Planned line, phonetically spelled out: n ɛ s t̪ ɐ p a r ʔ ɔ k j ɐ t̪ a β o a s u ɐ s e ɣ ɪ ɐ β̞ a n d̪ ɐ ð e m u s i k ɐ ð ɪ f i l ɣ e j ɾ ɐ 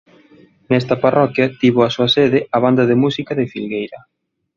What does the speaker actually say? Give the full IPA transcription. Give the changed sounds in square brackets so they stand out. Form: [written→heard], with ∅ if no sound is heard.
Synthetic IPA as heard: n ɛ s t̪ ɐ p a r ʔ ɔ k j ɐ t̪ [a→i] β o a s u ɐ s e [ɣ→ð] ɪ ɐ β̞ a n d̪ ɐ ð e m u s i k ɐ ð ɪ f i l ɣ e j ɾ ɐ